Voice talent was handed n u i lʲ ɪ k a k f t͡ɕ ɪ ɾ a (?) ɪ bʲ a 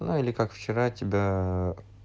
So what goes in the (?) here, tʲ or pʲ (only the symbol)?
tʲ